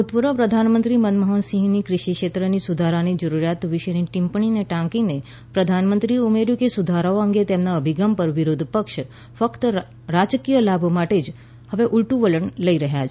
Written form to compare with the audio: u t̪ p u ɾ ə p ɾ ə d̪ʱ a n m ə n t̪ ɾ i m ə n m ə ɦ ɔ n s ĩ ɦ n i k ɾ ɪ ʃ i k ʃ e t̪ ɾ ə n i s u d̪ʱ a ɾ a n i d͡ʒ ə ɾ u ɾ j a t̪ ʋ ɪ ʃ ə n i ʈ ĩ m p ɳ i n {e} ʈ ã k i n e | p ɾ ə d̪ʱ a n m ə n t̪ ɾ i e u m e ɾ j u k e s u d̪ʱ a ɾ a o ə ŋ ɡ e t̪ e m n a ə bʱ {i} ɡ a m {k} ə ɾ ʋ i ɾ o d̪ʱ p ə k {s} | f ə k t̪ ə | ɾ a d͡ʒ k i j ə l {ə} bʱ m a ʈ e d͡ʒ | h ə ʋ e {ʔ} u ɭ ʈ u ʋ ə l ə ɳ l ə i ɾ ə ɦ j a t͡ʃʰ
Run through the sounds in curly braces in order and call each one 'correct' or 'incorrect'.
correct, correct, incorrect: p, incorrect: ʃ, incorrect: a, correct

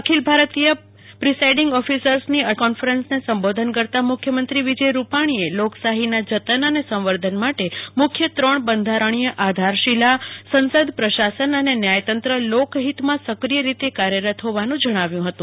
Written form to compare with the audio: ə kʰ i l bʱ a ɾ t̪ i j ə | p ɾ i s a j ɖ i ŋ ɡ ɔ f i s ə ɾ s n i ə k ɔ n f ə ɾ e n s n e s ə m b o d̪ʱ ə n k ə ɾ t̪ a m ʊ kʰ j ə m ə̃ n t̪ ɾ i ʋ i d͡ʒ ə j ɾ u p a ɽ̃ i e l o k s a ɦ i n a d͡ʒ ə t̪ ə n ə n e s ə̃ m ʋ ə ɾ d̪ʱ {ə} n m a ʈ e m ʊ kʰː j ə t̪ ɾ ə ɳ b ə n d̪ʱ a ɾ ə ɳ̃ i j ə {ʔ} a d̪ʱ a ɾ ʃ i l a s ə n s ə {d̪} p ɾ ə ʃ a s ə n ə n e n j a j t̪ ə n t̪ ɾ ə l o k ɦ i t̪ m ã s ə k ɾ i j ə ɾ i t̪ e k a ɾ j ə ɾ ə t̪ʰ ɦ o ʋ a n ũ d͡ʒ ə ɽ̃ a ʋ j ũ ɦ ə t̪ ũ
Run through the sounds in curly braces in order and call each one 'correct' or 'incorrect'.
correct, correct, correct

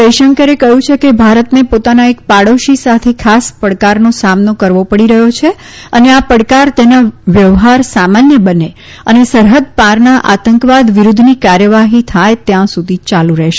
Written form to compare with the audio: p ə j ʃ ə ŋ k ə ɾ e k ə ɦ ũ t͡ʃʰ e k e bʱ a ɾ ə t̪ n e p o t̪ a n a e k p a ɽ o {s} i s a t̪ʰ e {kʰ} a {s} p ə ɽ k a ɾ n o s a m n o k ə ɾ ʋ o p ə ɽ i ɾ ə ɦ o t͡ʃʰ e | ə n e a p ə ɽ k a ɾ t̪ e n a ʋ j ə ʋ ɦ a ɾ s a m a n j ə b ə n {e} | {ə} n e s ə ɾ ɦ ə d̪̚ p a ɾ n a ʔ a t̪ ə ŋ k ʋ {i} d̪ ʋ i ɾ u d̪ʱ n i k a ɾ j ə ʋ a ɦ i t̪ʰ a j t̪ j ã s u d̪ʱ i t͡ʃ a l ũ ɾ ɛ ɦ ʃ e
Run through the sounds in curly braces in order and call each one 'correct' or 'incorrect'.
incorrect: ʃ, correct, correct, correct, correct, incorrect: a

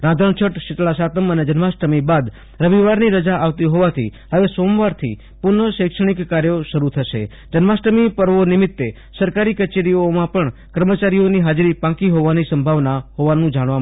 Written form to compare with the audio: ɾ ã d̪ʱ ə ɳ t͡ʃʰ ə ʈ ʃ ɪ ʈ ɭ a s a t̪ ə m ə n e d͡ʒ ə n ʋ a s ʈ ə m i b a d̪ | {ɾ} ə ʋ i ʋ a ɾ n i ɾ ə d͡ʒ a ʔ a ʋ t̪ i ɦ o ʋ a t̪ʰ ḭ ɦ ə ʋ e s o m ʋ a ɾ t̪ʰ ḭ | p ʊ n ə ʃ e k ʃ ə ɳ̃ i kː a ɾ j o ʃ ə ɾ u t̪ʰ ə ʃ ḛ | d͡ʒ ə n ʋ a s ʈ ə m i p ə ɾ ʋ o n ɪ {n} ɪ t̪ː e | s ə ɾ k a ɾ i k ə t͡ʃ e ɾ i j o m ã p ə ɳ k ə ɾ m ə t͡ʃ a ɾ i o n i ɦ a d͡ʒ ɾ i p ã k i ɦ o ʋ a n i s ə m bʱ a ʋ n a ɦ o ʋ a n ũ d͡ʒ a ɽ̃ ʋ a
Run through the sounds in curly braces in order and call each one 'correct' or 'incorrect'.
correct, incorrect: m

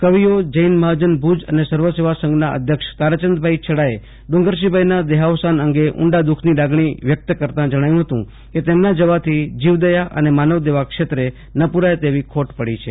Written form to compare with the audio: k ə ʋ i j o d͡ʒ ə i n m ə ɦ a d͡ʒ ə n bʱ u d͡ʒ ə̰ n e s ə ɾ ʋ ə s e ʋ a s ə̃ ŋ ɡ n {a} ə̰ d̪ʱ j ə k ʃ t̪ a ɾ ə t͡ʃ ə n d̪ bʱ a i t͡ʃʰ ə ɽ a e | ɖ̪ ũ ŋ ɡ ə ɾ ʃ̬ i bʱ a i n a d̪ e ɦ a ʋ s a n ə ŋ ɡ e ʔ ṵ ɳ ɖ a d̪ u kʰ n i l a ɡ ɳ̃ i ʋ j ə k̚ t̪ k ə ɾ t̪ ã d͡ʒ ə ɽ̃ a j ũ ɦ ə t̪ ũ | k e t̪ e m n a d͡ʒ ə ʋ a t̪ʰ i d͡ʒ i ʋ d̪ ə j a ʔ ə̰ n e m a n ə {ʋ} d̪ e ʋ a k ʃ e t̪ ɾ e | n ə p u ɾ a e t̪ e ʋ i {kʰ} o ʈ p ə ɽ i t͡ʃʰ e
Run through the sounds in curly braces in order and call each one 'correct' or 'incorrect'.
correct, correct, correct

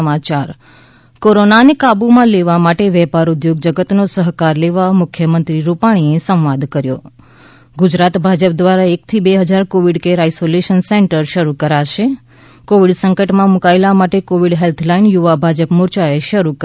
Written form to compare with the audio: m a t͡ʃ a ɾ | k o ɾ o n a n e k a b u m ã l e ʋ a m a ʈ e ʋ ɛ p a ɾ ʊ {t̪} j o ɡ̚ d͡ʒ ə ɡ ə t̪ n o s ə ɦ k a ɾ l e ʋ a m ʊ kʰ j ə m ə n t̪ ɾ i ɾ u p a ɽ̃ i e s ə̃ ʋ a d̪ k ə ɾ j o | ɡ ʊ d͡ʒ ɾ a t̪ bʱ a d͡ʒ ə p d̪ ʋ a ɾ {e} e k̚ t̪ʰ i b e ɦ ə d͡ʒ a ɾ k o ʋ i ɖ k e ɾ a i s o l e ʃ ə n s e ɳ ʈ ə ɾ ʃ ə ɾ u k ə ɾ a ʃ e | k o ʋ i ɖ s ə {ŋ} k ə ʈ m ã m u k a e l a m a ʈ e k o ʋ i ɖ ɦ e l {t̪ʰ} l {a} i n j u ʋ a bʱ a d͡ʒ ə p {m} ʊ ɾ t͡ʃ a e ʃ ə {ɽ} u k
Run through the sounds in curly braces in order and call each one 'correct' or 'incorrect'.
incorrect: d̪, incorrect: a, correct, correct, correct, correct, incorrect: ɾ

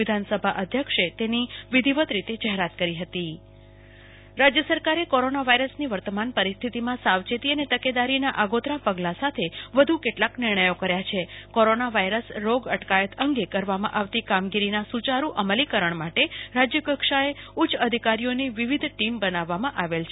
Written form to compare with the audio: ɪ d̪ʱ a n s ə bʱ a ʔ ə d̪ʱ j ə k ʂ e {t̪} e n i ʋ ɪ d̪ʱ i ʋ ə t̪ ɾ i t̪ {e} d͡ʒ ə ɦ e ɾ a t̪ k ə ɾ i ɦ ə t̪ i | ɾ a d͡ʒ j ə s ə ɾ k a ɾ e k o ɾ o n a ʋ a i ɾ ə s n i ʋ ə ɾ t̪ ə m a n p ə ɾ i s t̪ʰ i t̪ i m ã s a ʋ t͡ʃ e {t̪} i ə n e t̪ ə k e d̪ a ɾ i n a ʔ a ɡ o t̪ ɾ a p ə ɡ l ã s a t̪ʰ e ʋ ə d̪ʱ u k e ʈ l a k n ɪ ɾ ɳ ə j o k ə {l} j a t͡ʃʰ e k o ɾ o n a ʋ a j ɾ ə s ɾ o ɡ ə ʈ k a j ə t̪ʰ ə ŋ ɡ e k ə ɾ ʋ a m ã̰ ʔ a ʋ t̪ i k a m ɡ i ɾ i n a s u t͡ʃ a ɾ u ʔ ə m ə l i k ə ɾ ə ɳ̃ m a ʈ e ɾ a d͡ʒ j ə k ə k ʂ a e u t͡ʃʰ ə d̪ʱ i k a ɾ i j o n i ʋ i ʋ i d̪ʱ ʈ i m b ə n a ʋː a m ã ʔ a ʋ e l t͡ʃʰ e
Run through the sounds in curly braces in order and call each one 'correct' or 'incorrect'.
correct, correct, correct, incorrect: ɾ

